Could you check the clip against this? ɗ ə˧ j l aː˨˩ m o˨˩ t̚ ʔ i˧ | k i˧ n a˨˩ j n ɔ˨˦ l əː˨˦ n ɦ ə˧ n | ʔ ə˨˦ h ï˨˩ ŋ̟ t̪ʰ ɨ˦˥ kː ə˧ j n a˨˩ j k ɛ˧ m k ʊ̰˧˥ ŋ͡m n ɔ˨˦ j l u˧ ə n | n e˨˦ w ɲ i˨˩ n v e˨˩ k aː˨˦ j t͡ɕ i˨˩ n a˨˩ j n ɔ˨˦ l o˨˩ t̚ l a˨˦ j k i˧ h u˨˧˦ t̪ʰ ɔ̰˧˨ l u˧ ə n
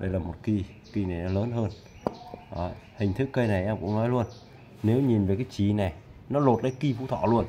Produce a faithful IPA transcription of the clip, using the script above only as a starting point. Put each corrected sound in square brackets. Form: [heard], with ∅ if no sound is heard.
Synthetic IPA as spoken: ɗ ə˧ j l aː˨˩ m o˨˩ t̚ [k] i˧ | k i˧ n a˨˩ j n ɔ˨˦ l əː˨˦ n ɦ [əː˧] n | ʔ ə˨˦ h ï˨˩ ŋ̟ t̪ʰ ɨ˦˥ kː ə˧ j n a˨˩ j [ʔ] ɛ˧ m k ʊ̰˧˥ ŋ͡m n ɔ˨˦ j l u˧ ə n | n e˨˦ w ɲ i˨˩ n v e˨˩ k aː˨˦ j t͡ɕ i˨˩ n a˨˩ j n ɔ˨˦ l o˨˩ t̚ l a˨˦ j k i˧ [f] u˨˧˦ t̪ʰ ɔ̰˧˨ l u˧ ə n